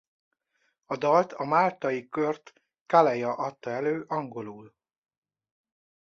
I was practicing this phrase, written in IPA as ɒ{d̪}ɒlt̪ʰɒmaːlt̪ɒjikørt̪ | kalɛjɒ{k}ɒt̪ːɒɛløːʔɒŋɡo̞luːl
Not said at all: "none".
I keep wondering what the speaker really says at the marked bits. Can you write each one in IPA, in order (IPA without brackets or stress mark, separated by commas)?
d̪, ʔ